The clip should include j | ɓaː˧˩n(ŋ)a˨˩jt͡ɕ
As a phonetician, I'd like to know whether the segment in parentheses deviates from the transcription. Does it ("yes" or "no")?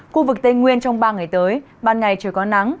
no